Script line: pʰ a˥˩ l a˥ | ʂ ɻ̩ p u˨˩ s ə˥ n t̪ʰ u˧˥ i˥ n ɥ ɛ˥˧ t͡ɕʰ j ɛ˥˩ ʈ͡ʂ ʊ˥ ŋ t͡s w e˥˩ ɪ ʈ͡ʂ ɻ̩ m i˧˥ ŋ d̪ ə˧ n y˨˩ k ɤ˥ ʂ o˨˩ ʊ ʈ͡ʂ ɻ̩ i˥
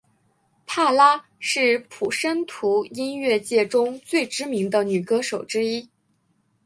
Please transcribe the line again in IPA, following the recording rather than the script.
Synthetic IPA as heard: pʰ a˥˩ l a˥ | ʂ ɻ̩ pʰ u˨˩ ʂ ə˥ n t̪ʰ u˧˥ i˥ n ɥ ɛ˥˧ t͡ɕ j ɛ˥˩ ʈ͡ʂ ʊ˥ ŋ t͡s w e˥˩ ɪ ʈ͡ʂ ɻ̩ m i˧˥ ŋ d̪ ə˧ n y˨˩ k ɤ˥ ʂ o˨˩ ʊ ʈ͡ʂ ɻ̩ i˥